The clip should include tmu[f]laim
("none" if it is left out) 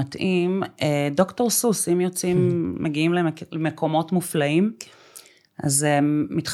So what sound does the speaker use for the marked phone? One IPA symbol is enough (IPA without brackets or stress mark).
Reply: f